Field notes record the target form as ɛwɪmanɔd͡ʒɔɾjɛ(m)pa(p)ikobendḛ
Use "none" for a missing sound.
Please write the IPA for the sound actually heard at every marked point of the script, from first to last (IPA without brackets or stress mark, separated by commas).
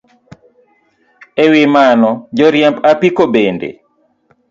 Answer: m, p